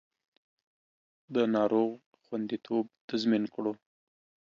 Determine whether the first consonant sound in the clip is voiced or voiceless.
voiced